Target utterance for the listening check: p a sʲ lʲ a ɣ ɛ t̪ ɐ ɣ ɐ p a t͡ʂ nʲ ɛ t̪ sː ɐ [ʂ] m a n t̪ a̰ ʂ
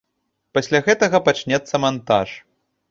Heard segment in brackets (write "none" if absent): none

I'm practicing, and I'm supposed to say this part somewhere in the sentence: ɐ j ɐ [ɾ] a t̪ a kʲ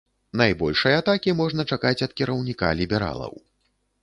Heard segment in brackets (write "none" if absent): none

